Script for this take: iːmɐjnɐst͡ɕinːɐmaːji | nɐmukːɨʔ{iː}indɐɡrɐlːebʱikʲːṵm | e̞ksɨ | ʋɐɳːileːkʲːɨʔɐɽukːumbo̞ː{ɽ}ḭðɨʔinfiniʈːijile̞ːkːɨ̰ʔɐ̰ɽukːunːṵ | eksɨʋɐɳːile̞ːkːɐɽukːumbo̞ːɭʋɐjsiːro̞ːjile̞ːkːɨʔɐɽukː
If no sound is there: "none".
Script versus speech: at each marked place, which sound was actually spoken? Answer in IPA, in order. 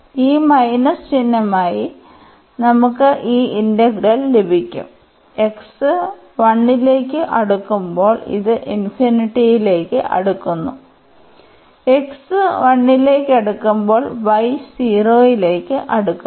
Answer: iː, ɭ

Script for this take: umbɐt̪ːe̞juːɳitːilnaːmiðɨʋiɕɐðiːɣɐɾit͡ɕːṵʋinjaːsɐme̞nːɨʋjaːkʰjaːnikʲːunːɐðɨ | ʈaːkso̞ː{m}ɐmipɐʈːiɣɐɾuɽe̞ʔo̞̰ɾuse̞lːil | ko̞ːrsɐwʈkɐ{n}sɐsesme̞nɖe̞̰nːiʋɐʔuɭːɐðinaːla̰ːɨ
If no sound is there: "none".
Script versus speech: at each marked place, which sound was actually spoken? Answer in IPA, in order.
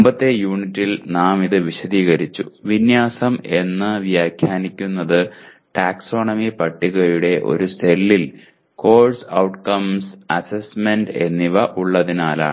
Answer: ɳ, m

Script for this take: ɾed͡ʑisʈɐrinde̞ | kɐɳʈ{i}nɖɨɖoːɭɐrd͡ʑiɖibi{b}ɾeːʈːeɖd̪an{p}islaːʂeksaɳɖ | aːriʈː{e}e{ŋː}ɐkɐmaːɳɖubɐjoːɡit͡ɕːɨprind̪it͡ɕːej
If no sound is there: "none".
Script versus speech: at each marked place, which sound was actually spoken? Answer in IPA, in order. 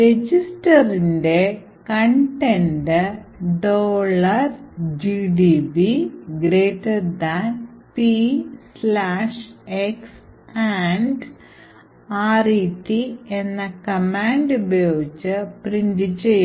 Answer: e, ɡ, p, i, nː

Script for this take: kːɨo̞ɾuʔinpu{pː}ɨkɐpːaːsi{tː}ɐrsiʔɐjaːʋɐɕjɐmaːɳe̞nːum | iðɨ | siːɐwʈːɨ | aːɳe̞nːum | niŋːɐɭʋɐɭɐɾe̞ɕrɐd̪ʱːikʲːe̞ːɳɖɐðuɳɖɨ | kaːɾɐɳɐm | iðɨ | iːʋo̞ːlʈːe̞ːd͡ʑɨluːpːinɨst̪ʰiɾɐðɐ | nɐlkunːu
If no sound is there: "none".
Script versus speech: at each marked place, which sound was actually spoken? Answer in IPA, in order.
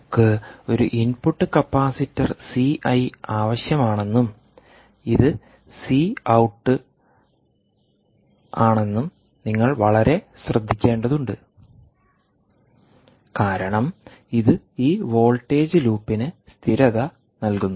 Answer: ʈː, tː

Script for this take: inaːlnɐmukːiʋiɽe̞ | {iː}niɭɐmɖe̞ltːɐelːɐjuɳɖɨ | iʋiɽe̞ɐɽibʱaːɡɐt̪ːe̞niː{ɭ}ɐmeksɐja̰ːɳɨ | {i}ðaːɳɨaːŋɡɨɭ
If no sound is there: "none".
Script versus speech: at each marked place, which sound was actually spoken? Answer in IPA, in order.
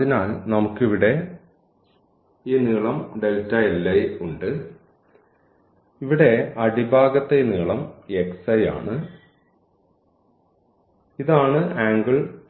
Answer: iː, ɭ, i

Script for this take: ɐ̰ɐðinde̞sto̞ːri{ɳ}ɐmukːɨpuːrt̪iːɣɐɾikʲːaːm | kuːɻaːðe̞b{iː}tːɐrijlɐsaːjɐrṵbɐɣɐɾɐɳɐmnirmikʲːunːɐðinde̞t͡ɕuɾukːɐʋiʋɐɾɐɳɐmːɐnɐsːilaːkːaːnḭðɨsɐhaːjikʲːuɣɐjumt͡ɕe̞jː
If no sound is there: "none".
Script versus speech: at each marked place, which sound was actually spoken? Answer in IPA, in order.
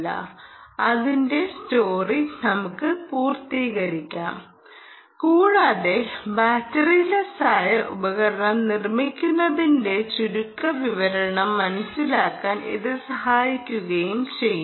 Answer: n, aː

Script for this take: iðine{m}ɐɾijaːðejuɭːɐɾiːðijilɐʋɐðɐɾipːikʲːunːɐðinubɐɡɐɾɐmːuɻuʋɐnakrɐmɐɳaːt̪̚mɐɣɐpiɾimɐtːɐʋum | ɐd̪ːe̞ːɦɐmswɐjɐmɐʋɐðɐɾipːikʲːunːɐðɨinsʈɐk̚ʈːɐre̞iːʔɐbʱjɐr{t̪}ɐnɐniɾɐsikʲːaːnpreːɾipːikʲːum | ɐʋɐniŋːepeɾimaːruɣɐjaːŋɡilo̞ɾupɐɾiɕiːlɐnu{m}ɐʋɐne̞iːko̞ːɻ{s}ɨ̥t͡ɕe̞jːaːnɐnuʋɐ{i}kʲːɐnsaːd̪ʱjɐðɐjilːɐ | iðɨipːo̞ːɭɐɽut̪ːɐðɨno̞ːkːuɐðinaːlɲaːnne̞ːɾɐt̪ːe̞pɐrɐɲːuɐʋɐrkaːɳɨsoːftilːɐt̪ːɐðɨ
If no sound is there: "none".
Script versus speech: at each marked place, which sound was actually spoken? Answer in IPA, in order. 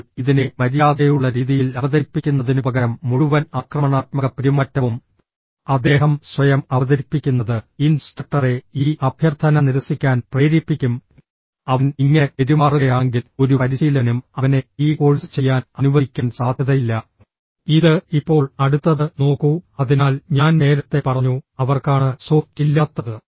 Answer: m, t̪ʰ, m, s, i

